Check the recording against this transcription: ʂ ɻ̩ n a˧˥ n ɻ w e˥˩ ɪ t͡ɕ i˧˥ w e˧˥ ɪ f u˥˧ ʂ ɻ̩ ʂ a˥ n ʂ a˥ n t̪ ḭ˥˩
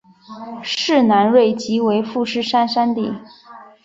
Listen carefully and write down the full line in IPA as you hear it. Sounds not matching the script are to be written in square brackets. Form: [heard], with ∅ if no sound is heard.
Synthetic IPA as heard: ʂ ɻ̩ n a˧˥ n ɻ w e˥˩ ɪ t͡ɕ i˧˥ w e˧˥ ɪ f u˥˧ ʂ ɻ̩ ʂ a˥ n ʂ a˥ n t̪ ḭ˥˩